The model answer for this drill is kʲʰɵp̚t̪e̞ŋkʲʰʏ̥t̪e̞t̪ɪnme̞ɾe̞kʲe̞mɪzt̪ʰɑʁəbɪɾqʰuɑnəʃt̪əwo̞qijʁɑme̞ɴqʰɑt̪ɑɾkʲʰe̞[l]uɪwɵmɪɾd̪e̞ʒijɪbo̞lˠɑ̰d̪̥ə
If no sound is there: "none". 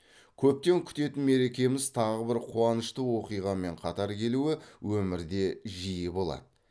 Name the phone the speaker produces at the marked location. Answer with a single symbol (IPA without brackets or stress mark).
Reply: l